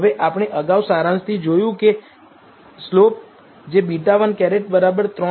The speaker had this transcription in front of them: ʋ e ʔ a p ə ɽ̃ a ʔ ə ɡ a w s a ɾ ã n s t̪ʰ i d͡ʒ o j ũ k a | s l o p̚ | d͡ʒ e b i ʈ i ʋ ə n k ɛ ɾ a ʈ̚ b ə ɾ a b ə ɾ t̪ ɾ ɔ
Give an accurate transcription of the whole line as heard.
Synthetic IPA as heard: ʋ e ʔ a p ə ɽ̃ e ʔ ə ɡ a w s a ɾ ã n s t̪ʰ i d͡ʒ o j ũ k e | s l o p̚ | d͡ʒ e b i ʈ a ʋ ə n k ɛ ɾ e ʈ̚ b ə ɾ a b ə ɾ t̪ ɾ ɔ